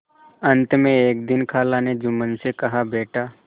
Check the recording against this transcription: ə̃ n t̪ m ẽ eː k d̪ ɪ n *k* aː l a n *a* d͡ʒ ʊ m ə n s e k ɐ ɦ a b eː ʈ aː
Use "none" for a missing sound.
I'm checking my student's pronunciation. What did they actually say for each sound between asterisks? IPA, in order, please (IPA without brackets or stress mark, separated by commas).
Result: kʰ, e